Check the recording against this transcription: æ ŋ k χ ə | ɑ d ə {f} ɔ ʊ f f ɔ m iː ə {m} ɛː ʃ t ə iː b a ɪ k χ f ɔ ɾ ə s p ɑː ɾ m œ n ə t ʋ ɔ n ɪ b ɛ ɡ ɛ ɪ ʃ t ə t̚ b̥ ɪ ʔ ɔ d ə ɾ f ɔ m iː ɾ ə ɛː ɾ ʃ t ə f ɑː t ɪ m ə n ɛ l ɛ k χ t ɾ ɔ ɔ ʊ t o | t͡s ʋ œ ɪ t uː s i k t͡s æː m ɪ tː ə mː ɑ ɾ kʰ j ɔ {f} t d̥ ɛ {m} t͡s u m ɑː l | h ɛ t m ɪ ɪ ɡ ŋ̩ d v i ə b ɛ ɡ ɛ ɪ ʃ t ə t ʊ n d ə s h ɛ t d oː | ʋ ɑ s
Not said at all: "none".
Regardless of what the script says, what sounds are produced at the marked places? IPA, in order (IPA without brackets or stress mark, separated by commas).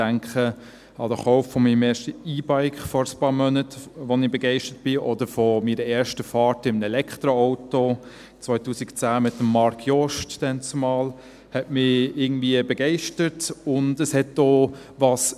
χ, m, ʃ, n